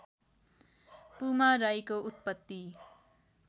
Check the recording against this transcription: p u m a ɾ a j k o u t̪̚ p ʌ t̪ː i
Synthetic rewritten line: p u m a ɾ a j k o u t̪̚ p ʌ t̪ː i